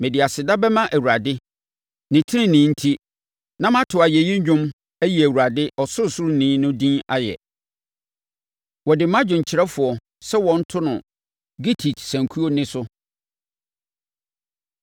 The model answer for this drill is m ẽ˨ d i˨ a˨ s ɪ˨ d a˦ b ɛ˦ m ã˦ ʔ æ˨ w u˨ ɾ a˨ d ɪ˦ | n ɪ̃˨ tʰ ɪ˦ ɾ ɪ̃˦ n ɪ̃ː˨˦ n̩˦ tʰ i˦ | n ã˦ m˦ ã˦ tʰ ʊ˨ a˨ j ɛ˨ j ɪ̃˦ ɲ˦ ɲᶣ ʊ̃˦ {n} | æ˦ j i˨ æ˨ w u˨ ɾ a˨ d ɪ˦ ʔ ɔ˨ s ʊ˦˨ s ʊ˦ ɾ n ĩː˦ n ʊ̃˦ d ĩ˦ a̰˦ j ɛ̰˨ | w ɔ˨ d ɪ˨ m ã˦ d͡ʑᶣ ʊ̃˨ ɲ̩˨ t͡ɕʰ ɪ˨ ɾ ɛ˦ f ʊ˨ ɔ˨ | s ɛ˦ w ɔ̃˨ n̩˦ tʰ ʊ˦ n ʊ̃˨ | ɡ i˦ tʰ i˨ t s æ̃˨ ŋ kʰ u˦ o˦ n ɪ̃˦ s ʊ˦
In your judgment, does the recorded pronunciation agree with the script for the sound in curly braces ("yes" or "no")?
no